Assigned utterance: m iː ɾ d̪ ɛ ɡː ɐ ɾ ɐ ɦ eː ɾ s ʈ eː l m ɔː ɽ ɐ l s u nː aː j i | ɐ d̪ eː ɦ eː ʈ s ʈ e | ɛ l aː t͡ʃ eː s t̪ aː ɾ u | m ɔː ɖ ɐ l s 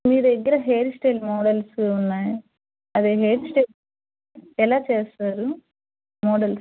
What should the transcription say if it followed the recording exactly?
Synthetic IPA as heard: m iː ɾ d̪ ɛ ɡː ɐ ɾ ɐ ɦ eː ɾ s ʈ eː l m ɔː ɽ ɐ l s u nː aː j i | ɐ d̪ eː ɦ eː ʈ s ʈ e | ɛ l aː t͡ʃ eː s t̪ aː ɾ u | m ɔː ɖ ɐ l s